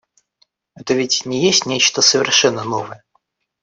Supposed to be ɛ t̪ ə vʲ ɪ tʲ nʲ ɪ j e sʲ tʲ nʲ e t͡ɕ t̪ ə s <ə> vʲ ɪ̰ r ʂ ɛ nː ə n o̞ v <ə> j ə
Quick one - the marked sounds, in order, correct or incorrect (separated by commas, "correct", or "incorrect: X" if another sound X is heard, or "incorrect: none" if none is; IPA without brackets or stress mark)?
correct, correct